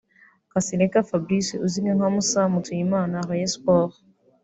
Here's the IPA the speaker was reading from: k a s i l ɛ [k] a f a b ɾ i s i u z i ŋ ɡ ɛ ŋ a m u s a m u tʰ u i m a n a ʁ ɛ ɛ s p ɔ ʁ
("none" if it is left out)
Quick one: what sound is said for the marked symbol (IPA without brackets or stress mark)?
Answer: k